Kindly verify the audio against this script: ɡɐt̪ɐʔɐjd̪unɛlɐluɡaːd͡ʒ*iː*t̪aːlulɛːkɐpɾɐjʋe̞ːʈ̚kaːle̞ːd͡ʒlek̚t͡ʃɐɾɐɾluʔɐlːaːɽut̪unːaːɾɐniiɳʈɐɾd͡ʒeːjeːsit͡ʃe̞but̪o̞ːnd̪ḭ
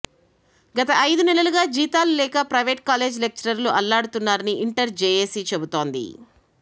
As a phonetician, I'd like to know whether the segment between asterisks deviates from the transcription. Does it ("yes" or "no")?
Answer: no